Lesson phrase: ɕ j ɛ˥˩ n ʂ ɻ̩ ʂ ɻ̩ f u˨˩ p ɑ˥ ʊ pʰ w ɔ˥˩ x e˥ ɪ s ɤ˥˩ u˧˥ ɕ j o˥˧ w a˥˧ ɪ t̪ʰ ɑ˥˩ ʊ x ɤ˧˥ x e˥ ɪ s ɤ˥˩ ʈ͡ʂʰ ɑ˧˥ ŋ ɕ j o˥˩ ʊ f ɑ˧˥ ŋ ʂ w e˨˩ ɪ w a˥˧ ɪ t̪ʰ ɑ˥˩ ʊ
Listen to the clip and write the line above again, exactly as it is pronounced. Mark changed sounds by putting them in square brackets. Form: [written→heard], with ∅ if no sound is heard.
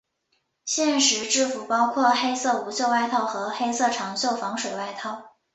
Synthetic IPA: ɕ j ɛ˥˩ n ʂ ɻ̩ [ʂ→ʈ͡ʂ] ɻ̩ f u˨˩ p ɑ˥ ʊ [pʰ→kʰ] w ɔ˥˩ x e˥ ɪ s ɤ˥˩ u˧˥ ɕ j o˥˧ w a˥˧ ɪ t̪ʰ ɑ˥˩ ʊ x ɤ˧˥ x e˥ ɪ s ɤ˥˩ ʈ͡ʂʰ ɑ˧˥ ŋ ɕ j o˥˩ ʊ f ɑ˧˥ ŋ ʂ w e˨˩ ɪ w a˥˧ ɪ t̪ʰ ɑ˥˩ ʊ